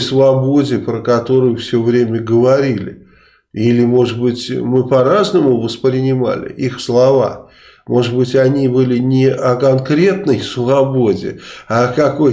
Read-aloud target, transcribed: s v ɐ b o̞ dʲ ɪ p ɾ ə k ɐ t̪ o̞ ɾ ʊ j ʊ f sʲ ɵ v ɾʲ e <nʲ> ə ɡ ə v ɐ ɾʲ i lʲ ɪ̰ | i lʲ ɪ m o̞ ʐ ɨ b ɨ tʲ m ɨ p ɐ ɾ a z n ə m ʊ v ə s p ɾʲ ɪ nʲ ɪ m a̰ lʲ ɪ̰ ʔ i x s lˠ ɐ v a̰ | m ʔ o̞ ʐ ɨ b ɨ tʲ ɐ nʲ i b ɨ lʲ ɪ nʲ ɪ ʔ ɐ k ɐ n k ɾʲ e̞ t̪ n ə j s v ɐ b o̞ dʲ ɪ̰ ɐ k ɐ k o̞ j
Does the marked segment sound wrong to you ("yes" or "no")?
yes